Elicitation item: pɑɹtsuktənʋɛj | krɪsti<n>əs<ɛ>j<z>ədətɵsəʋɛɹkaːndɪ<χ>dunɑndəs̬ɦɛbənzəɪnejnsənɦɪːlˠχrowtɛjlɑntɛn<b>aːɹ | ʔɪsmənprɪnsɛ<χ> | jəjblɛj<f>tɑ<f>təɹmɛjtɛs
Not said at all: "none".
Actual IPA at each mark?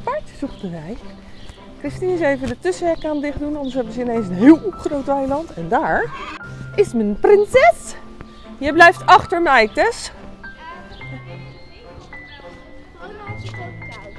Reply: n, e, v, χ, d, s, f, χ

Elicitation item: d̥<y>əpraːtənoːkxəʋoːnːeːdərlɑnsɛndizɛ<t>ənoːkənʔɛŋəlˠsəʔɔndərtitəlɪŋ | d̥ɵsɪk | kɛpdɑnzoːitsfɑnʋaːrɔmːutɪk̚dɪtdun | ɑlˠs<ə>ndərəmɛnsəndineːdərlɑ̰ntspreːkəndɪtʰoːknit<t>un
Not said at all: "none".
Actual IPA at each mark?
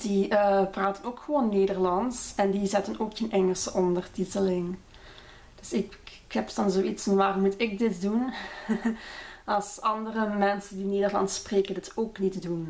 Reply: i, t, ɑ, d

